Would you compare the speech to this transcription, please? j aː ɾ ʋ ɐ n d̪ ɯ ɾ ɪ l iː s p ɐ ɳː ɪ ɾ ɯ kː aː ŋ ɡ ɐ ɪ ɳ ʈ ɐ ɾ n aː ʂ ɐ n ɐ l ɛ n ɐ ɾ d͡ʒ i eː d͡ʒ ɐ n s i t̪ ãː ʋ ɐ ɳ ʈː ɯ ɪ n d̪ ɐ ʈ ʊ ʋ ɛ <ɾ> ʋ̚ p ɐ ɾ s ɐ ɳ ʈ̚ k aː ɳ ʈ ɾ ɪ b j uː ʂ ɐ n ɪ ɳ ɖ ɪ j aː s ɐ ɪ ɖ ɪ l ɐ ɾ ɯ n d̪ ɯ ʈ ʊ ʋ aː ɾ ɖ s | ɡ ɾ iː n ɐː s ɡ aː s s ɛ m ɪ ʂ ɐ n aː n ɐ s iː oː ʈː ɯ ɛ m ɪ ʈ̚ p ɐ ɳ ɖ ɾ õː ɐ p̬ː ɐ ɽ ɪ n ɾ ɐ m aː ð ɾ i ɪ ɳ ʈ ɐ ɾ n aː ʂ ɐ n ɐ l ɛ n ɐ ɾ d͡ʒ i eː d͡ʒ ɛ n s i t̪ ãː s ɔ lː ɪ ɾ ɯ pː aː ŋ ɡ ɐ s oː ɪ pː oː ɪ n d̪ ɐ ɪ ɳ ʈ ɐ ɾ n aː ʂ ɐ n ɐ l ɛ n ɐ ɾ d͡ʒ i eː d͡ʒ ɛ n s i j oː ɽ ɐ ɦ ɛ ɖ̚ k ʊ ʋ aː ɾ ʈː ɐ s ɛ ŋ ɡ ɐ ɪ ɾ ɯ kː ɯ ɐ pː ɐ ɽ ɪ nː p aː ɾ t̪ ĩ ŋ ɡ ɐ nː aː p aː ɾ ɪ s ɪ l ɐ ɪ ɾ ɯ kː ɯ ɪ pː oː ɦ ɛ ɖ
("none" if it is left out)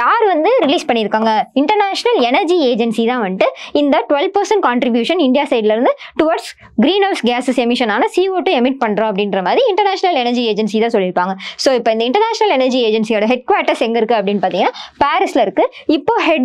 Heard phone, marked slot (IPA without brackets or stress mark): l